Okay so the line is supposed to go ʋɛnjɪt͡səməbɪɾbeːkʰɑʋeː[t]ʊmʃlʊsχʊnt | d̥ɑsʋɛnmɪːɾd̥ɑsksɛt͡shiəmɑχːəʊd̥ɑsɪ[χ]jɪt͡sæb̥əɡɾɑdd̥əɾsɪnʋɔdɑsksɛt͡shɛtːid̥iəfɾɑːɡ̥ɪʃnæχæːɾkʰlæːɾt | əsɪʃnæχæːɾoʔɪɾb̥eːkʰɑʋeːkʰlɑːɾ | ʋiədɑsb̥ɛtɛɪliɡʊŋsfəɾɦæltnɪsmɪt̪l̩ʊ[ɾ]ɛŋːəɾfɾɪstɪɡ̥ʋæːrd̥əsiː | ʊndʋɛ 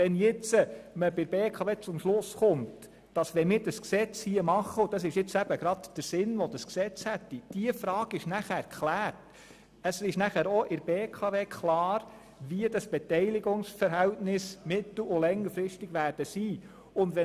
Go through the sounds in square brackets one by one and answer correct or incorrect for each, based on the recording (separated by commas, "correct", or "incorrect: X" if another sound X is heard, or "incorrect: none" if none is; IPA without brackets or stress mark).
incorrect: t͡s, incorrect: ʃ, incorrect: l